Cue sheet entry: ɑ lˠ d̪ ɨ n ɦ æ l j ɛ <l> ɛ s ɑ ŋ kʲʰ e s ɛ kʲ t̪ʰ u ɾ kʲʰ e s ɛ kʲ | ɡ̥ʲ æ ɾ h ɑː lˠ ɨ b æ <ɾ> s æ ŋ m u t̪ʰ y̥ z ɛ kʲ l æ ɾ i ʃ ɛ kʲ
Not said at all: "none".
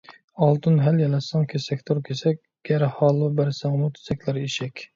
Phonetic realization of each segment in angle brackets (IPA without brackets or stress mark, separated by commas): l, ɾ